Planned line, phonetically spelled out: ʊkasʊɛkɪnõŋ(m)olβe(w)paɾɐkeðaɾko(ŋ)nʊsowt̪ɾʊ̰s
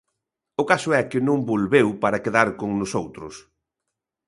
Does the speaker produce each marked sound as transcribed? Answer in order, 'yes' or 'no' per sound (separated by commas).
no, yes, yes